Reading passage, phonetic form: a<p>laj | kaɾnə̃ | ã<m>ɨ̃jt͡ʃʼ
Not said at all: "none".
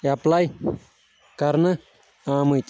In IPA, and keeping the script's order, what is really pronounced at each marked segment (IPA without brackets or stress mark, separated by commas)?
p, m